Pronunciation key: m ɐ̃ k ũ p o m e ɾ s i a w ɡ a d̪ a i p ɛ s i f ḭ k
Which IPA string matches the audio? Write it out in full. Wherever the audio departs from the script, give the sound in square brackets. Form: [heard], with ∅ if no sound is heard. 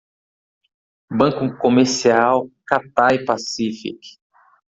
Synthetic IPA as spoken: [b] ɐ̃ k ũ [k] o m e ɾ s i a w [k] a [t̪] a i p [a] s i f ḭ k

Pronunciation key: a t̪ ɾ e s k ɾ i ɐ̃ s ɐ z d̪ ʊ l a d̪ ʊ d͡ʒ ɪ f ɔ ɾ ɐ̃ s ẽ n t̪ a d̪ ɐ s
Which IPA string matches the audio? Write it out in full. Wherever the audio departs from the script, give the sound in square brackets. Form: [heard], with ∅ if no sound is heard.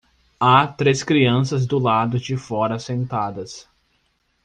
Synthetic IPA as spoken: a t̪ ɾ e s k ɾ i ɐ̃ s ɐ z d̪ ʊ l a d̪ ʊ d͡ʒ ɪ f ɔ ɾ [ɐ] s ẽ n t̪ a d̪ ɐ s

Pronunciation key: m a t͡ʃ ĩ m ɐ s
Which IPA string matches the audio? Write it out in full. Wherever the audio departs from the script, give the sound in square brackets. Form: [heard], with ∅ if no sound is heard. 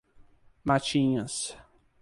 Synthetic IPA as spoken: m a t͡ʃ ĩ [ɲ] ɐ s

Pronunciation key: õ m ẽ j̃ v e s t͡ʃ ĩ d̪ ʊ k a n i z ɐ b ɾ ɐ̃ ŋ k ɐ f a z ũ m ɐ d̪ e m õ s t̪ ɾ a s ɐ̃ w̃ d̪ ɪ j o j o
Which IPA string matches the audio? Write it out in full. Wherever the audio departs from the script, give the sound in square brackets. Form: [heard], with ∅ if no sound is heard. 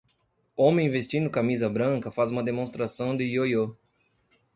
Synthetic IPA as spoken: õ m ẽ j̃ v e s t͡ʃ ĩ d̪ ʊ k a [m] i z ɐ b ɾ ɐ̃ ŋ k ɐ f a z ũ m ɐ d̪ e m õ s t̪ ɾ a s ɐ̃ w̃ d̪ ɪ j o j o

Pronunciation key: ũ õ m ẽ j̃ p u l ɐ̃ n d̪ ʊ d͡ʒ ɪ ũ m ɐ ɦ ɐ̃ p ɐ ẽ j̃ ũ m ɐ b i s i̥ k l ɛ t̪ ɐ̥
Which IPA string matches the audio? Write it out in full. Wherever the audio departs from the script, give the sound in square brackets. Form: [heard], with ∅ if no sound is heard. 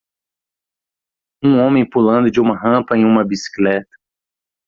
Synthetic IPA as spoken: ũ õ m ẽ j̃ p u l ɐ̃ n d̪ ʊ d͡ʒ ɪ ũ m ɐ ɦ ɐ̃ p ɐ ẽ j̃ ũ m ɐ b i s i̥ k l ɛ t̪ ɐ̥

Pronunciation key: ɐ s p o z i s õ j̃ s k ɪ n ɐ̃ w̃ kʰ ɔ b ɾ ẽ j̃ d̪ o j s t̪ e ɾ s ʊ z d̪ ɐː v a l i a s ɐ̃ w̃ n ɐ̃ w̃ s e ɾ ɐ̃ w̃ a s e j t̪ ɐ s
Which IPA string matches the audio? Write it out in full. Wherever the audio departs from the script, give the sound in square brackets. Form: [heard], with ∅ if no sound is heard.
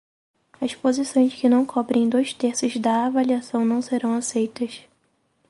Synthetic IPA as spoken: ɐ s p o z i s õ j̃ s k ɪ n ɐ̃ w̃ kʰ ɔ b ɾ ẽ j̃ d̪ o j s t̪ e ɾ s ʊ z d̪ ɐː v a l i a s ɐ̃ w̃ n ɐ̃ w̃ s e ɾ ɐ̃ w̃ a s e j t̪ ɐ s

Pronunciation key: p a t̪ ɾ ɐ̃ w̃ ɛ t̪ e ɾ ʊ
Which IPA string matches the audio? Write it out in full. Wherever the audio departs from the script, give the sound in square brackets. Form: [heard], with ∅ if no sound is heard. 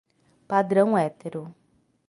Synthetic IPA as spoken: p a [d̪] ɾ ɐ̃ w̃ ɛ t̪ e ɾ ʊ

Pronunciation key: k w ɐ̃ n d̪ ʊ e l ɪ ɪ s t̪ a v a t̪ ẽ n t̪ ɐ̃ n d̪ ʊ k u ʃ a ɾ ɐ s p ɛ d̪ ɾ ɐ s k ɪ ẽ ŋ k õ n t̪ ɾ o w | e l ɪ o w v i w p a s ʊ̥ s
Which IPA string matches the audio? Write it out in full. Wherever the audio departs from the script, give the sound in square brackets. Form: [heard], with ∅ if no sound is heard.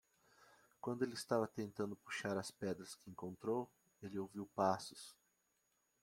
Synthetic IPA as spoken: k w ɐ̃ n d̪ ʊ e l ɪ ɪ s t̪ a v [ɐ] t̪ ẽ n t̪ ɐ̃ n d̪ ʊ [p] u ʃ a ɾ ɐ s p ɛ d̪ ɾ ɐ s k ɪ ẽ ŋ k õ n t̪ ɾ o w | e l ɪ o w v i w p a s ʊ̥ s

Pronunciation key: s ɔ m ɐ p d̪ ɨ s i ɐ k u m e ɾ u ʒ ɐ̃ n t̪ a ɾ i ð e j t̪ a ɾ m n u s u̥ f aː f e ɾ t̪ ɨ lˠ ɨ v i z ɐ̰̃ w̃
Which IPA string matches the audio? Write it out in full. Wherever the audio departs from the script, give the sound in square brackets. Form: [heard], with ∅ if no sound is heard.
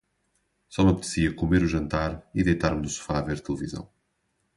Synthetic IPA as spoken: s ɔ m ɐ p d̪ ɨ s i ɐ k u m e ɾ u ʒ ɐ̃ n t̪ a ɾ i ð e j t̪ a ɾ m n u s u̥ f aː [v] e ɾ t̪ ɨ lˠ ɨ v i z ɐ̰̃ w̃

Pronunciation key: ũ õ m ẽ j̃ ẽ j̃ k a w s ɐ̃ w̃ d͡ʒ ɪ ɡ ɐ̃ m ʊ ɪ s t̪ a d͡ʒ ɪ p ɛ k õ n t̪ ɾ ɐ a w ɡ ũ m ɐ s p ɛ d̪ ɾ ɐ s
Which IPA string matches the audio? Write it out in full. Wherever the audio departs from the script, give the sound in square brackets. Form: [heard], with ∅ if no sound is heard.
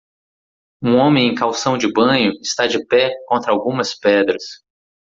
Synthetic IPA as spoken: ũ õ m ẽ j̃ ẽ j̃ k a w s ɐ̃ w̃ d͡ʒ ɪ [b] ɐ̃ [ɲ] ʊ ɪ s t̪ a d͡ʒ ɪ p ɛ k õ n t̪ ɾ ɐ a w ɡ ũ m ɐ s p ɛ d̪ ɾ ɐ s

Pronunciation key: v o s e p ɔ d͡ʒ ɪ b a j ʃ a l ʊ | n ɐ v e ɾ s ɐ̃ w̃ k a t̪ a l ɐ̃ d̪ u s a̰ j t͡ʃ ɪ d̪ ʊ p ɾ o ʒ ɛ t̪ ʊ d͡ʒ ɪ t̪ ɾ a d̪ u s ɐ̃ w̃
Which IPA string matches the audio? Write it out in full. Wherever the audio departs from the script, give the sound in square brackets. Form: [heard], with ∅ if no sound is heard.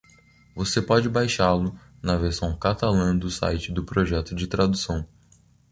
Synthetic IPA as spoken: v o s e p ɔ d͡ʒ ɪ b a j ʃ a l ʊ | n ɐ v e ɾ s ɐ̃ w̃ k a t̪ a l ɐ̃ d̪ [ʊ] s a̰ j t͡ʃ ɪ d̪ ʊ p ɾ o ʒ ɛ t̪ ʊ d͡ʒ ɪ t̪ ɾ a d̪ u s ɐ̃ w̃

